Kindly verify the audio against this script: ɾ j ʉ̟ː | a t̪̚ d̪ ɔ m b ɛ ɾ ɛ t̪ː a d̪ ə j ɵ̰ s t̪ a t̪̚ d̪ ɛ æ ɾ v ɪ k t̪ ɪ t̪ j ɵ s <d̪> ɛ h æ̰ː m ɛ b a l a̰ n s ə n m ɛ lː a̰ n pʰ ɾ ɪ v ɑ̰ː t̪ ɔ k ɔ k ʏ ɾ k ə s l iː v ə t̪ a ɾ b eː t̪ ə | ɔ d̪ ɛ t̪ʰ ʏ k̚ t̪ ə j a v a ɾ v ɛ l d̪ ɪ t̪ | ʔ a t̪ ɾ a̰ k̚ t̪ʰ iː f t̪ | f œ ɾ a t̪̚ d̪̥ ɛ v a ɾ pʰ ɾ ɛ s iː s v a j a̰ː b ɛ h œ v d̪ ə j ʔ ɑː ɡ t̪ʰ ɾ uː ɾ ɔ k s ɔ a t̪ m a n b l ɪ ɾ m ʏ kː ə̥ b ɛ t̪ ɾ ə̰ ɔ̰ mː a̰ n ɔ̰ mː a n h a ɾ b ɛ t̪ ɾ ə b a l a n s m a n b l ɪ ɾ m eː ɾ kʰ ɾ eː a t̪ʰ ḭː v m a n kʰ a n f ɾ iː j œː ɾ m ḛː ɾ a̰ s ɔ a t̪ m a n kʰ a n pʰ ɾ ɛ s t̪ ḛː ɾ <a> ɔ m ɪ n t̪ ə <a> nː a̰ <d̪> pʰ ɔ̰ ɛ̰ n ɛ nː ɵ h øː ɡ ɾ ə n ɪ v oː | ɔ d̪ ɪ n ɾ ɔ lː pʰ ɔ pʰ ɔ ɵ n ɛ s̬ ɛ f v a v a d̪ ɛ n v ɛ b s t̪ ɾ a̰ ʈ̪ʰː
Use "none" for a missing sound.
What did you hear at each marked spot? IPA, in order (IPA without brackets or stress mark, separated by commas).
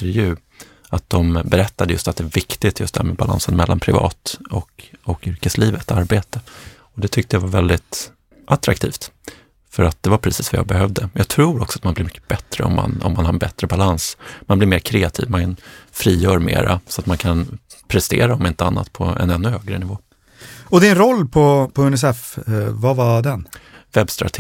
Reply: t̪, a, a, t̪